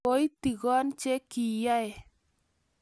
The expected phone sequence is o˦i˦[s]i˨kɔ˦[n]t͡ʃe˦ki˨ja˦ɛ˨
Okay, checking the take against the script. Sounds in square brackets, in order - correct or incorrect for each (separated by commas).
incorrect, correct